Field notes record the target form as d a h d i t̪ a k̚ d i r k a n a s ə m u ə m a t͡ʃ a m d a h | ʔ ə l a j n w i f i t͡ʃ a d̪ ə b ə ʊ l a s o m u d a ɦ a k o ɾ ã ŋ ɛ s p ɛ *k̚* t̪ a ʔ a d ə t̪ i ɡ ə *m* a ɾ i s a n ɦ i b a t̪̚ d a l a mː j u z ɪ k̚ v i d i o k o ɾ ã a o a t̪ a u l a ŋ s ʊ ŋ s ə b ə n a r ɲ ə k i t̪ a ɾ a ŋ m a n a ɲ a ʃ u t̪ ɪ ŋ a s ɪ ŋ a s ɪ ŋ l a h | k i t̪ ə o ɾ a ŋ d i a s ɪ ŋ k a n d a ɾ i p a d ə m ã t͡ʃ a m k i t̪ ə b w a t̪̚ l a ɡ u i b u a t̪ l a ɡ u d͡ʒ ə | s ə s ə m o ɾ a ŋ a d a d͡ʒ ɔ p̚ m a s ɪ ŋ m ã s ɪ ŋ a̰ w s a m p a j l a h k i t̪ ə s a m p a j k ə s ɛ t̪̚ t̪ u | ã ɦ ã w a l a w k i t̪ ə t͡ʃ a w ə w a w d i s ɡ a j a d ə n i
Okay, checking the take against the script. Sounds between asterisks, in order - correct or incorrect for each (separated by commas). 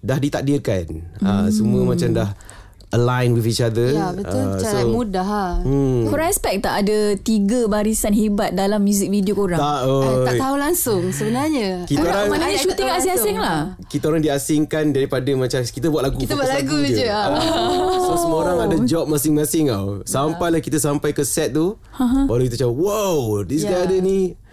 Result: correct, incorrect